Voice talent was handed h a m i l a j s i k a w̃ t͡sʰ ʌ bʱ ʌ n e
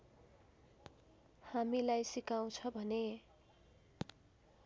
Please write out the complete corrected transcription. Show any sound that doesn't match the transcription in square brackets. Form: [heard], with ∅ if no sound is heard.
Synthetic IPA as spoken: h a m i l a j s i k a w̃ t͡sʰ ʌ bʱ ʌ n e